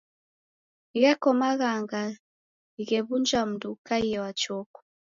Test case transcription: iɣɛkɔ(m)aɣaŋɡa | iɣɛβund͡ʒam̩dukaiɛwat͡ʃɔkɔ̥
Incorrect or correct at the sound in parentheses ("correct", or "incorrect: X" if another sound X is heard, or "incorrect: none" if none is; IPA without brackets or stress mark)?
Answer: correct